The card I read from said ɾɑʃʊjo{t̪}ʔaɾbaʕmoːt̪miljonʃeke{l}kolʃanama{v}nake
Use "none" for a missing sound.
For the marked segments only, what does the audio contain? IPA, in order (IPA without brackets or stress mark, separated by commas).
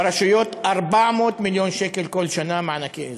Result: t̪, l, ʕ